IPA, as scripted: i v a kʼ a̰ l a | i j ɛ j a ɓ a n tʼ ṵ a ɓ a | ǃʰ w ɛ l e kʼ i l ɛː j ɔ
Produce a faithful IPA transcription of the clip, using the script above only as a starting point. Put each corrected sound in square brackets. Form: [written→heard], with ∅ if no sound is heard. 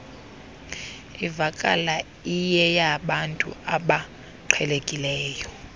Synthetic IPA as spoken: i v a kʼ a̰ l a | i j ɛ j a ɓ a n tʼ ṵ a ɓ a | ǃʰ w ɛ l e kʼ i l ɛː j ɔ